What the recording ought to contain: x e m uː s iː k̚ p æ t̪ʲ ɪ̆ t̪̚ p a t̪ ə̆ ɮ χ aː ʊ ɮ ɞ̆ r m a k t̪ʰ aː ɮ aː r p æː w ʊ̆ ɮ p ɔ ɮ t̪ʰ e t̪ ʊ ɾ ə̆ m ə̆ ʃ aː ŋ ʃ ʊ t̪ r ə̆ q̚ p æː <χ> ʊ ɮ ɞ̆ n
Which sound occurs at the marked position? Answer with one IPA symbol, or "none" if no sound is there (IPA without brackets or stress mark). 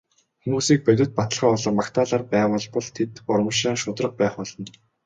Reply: χ